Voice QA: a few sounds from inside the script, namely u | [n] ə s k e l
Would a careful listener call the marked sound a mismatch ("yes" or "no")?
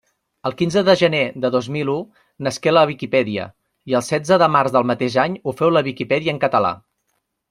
no